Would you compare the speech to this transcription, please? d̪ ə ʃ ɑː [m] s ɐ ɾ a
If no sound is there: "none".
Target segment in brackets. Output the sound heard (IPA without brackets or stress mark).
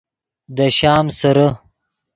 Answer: m